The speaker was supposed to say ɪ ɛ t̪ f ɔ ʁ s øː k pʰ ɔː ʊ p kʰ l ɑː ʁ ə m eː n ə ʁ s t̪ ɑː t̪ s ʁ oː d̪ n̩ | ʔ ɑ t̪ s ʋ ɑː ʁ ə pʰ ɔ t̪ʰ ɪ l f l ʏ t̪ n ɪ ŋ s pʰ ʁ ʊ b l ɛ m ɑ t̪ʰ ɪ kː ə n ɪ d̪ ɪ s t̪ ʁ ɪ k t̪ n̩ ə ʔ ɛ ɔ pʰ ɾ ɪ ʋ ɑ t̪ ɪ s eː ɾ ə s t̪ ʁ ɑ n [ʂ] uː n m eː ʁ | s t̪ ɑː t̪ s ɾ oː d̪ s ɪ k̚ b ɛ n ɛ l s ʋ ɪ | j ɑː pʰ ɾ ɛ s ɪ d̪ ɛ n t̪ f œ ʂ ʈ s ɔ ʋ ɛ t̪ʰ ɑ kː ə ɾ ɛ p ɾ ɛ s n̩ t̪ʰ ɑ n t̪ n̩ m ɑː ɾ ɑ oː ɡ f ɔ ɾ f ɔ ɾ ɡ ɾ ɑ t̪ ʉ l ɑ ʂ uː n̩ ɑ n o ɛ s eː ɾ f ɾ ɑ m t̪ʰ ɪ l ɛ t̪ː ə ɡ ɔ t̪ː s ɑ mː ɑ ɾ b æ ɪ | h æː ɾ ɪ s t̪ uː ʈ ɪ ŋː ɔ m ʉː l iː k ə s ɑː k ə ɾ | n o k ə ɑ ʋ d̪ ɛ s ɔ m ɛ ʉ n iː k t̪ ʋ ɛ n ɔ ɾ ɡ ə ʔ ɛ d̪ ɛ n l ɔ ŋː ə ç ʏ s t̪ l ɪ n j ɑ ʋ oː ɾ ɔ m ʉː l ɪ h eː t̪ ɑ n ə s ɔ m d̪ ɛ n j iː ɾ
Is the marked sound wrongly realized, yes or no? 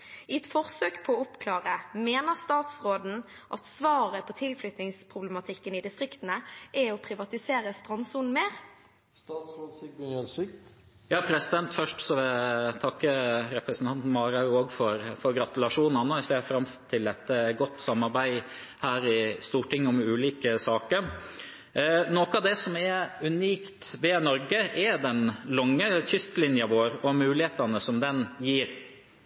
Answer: yes